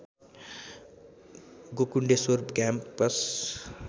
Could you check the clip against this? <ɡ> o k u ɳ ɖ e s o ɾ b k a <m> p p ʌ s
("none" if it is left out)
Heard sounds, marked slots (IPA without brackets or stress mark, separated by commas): ɡ, m